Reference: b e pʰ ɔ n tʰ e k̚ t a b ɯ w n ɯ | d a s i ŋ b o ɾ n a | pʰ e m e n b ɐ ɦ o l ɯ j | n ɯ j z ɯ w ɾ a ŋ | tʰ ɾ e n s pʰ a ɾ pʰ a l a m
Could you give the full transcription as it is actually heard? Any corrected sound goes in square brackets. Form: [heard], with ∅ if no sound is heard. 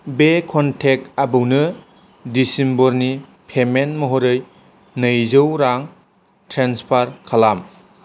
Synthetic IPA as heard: b e [kʰ] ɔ n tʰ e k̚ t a b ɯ w n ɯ | d [i] s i [m] b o ɾ n [i] | pʰ e m e n [m] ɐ ɦ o [ɾ] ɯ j | n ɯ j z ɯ w ɾ a ŋ | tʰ ɾ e n s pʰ a ɾ [kʰ] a l a m

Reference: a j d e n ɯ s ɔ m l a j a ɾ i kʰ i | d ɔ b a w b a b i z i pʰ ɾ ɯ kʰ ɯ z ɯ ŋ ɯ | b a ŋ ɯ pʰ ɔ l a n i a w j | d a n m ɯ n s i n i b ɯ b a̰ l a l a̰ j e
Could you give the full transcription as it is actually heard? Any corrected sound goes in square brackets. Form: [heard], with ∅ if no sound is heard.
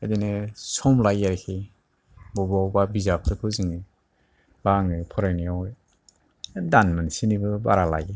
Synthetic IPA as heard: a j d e n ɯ s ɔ m l a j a ɾ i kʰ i | [b] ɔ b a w b a b i z [a] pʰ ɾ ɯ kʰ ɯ z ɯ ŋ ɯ | b a ŋ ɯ pʰ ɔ [ɾ] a n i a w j | d a n m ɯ n s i n i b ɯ b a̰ [ɾ] a l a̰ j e

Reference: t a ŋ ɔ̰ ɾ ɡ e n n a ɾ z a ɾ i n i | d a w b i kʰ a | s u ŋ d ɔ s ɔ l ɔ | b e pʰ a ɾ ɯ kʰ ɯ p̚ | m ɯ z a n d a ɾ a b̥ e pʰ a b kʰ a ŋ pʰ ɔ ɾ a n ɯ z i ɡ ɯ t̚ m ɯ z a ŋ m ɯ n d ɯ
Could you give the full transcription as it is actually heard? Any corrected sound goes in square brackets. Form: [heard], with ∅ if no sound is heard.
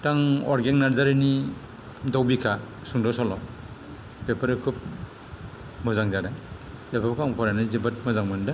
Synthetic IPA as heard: t a ŋ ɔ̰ ɾ ɡ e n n a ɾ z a ɾ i n i | d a w b i kʰ a | s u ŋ d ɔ s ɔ l ɔ | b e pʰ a ɾ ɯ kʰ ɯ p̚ | m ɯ z a [ŋ] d a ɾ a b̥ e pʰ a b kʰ a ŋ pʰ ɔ ɾ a n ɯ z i [b] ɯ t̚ m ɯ z a ŋ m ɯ n d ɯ

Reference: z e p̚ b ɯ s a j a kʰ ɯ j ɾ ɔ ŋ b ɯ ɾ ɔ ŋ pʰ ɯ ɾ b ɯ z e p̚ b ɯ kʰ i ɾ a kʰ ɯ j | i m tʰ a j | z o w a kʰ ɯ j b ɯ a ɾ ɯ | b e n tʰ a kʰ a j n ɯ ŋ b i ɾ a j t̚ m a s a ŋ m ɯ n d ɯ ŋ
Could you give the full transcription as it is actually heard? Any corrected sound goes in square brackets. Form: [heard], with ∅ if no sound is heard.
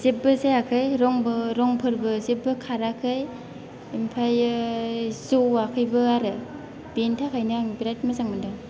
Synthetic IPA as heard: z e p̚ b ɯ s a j a kʰ ɯ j ɾ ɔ ŋ b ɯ ɾ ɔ ŋ pʰ ɯ ɾ b ɯ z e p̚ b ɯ kʰ [a] ɾ a kʰ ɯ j | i m [pʰ] a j | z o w a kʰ ɯ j b ɯ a ɾ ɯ | b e n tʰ a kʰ a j n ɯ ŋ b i ɾ a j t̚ m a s a ŋ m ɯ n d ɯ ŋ

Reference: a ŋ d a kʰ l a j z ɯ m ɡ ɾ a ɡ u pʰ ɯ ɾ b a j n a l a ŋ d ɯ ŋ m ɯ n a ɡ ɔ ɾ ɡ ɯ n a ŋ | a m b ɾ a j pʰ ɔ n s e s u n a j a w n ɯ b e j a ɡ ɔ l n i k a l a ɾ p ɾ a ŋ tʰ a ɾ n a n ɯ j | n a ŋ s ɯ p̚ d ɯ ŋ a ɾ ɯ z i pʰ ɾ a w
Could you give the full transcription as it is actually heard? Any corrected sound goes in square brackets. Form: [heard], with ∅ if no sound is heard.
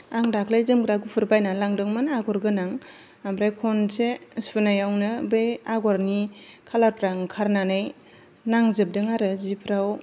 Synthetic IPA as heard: a ŋ d a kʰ l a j z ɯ m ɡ ɾ a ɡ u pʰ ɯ ɾ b a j n a l a ŋ d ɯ ŋ m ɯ n a ɡ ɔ ɾ ɡ ɯ n a ŋ | a m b ɾ a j [kʰ] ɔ n s e s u n a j a w n ɯ b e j a ɡ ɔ [ɾ] n i [kʰ] a l a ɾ p ɾ a ŋ [kʰ] a ɾ n a n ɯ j | n a ŋ [z] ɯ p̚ d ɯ ŋ a ɾ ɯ z i pʰ ɾ a w

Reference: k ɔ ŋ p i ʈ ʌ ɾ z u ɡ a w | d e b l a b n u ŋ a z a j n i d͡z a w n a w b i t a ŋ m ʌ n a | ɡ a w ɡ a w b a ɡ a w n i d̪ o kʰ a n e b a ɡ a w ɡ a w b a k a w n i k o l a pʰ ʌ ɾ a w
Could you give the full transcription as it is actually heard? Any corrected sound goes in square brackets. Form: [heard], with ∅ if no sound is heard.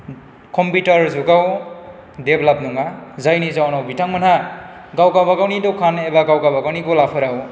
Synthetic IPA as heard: k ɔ [m] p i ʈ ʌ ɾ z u ɡ a w | d e b l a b n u ŋ a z a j n i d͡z a w n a w b i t a ŋ m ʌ n a | ɡ a w ɡ a w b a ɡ a w n i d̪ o kʰ a n e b a ɡ a w ɡ a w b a [ɡ] a w n i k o l a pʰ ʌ ɾ a w

